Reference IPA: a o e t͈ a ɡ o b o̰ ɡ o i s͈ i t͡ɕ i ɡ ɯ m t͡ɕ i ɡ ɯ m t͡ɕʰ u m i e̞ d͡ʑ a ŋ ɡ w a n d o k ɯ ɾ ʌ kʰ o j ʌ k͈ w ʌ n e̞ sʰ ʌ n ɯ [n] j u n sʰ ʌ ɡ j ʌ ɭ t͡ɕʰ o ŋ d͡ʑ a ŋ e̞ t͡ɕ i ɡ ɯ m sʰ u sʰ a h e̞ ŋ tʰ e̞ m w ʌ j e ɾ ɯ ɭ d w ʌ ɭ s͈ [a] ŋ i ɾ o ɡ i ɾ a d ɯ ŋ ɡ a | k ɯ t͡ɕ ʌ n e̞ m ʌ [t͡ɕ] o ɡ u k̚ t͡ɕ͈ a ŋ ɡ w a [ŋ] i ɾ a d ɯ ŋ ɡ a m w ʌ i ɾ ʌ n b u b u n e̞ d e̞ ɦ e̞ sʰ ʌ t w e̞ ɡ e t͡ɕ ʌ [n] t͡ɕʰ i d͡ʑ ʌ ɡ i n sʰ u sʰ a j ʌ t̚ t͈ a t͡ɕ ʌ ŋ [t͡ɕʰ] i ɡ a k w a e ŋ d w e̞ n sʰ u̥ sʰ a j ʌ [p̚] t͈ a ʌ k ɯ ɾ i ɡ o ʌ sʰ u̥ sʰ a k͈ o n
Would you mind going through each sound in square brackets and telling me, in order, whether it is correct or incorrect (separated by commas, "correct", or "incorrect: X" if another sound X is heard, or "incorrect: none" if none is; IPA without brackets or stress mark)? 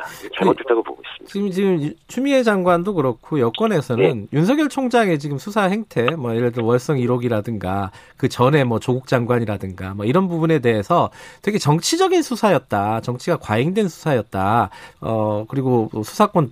correct, incorrect: ʌ, correct, incorrect: ɲ, incorrect: ŋ, correct, incorrect: t̚